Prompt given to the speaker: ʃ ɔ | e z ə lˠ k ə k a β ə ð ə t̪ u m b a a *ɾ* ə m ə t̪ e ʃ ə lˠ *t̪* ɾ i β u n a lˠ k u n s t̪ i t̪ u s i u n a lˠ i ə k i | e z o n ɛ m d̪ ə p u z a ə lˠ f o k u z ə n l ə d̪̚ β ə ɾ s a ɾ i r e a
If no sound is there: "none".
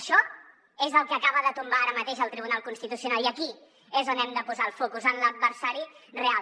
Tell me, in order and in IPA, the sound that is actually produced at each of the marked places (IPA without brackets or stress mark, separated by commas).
ɾ, t̪